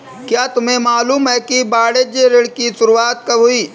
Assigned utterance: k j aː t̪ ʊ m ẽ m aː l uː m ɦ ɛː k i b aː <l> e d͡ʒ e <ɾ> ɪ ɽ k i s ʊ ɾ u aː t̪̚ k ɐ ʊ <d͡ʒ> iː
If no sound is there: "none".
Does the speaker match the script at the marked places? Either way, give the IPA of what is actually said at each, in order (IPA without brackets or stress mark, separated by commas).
ɽ, ɾ, none